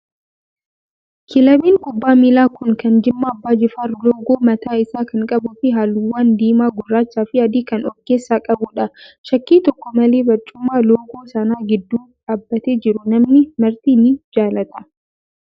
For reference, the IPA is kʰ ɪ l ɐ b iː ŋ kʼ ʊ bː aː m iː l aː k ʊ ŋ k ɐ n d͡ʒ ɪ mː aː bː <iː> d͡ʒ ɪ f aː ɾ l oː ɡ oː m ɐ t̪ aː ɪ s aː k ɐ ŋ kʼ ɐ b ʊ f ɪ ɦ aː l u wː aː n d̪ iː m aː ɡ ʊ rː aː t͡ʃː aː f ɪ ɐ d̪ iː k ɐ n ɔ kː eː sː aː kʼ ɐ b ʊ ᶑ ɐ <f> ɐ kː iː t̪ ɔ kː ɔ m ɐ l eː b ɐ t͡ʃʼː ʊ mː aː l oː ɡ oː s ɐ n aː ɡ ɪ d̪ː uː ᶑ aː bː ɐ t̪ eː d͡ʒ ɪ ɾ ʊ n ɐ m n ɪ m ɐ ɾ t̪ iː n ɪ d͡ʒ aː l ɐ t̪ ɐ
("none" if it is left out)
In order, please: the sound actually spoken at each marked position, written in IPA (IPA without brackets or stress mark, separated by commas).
aː, ʃ